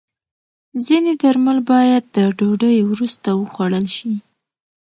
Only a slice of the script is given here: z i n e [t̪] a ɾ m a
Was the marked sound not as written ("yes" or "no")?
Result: yes